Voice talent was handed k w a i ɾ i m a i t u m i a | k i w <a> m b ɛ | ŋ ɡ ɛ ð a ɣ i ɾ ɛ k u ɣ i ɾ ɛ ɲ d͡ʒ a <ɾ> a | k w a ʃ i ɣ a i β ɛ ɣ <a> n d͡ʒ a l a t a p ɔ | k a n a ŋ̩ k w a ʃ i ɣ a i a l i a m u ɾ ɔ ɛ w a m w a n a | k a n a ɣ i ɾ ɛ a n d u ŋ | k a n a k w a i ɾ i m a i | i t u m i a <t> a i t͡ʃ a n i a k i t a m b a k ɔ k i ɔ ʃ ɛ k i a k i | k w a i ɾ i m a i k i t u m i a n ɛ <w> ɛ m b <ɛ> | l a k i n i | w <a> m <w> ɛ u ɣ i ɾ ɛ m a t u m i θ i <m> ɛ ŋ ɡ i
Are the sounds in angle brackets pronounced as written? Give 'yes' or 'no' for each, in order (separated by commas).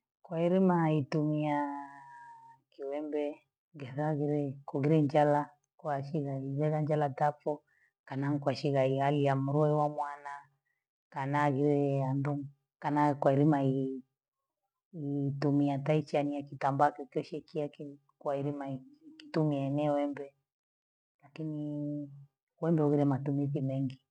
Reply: no, no, yes, yes, yes, yes, no, no, yes